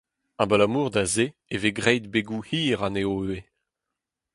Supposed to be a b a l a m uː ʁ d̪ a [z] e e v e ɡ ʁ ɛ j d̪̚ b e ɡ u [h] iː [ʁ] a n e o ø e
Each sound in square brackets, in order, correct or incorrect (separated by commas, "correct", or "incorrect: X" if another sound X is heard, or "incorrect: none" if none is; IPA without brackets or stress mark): correct, correct, correct